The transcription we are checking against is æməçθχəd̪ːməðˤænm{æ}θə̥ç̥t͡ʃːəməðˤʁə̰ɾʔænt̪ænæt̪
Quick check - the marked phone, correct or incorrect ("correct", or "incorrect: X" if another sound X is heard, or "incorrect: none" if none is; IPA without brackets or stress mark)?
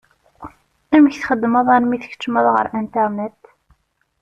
incorrect: i